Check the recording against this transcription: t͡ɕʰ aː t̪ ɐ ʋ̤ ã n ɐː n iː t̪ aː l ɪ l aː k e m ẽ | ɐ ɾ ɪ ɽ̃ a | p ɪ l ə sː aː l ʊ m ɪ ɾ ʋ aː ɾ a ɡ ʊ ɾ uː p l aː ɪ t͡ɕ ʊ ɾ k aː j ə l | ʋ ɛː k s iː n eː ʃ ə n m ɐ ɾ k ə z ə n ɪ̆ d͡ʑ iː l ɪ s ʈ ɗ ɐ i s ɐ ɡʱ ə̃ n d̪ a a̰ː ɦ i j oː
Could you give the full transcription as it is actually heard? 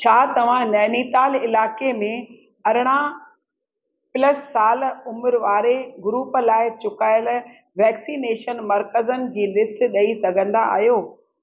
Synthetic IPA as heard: t͡ɕʰ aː t̪ ɐ ʋ̤ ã n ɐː n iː t̪ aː l ɪ l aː k e m ẽ | ɐ ɾ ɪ ɽ̃ a | p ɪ l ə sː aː l ʊ m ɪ ɾ ʋ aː ɾ e ɡ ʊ ɾ uː p l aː ɪ t͡ɕ ʊ k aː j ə l | ʋ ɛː k s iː n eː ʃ ə n m ɐ ɾ k ə z ə n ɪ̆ d͡ʑ iː l ɪ s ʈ ɗ ɐ i s ɐ ɡʱ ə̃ n d̪ a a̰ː ɦ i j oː